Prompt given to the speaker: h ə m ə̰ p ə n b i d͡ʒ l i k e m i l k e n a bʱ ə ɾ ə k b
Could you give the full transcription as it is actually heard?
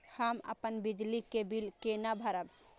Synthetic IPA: h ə m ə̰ p ə n b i d͡ʒ l i k e b i l k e n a bʱ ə ɾ ə b